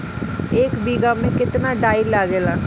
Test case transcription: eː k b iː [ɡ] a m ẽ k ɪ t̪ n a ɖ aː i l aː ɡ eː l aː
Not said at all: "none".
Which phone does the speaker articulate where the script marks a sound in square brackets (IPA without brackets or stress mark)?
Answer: ɡ